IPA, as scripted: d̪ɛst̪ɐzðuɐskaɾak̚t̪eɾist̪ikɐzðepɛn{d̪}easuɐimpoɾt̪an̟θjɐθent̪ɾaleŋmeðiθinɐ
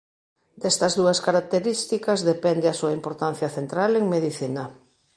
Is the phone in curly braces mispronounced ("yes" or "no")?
no